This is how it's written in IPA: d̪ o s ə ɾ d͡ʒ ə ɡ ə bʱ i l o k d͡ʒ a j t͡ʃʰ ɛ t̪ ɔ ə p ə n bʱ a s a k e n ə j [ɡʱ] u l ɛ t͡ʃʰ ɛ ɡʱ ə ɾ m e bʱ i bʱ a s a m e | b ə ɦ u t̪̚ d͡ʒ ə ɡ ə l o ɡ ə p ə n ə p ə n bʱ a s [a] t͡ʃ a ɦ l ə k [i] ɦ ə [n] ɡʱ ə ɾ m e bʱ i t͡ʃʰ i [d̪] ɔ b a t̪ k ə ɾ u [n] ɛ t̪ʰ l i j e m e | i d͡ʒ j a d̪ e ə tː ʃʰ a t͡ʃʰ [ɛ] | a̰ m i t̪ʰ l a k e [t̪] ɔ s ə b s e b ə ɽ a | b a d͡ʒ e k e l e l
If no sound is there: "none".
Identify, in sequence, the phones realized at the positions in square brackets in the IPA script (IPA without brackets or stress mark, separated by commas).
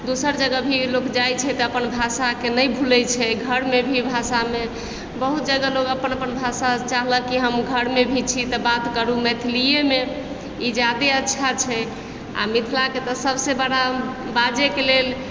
bʱ, a, i, m, t̪, m, ɛ, t̪